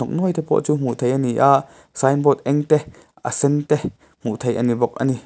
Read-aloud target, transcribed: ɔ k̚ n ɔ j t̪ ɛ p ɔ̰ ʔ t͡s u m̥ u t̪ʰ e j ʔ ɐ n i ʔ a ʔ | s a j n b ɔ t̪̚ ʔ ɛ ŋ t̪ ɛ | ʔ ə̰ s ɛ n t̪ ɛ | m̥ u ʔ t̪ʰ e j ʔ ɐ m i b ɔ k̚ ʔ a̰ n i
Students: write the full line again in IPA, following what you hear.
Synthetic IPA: ɔ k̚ n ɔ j t̪ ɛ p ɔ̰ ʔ t͡s u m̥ u t̪ʰ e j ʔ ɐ n i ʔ a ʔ | s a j n b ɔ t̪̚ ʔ ɛ ŋ t̪ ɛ | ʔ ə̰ s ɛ n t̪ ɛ | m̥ u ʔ t̪ʰ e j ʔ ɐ n i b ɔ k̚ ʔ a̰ n i